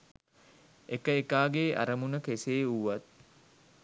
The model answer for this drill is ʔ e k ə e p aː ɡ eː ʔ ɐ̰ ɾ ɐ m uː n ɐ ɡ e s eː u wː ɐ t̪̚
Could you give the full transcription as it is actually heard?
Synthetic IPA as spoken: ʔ e k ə e k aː ɡ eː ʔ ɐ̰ ɾ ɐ m u n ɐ k e s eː u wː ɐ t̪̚